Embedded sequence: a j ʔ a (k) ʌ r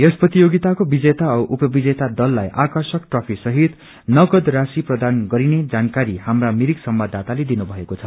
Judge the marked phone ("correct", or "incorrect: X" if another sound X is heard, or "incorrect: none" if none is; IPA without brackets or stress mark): correct